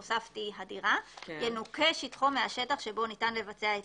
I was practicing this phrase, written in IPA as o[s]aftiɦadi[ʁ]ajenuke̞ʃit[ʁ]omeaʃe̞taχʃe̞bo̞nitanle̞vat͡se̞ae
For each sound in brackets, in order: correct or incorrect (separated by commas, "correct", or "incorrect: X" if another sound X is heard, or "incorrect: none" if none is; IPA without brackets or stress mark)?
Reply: correct, correct, incorrect: χ